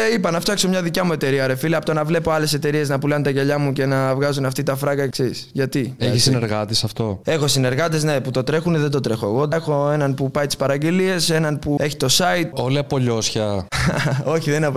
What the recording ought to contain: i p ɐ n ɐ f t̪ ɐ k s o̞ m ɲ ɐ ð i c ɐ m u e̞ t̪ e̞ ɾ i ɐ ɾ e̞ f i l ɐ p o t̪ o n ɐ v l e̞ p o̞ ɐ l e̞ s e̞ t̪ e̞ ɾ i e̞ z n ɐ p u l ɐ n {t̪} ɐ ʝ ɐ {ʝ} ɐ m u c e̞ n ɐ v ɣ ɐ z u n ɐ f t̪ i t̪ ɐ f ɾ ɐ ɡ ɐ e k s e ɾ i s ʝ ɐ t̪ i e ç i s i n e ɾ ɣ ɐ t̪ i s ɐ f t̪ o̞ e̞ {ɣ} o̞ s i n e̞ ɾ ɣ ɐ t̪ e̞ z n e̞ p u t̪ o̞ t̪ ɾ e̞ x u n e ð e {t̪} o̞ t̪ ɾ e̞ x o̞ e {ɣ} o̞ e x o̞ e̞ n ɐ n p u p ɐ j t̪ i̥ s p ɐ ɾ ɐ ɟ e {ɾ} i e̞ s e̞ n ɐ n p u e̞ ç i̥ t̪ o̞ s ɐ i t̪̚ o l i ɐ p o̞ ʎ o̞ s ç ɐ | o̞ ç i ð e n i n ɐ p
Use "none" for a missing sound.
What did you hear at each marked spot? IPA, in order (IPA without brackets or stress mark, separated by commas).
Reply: t̪, ʎ, x, d̪, ɣ, l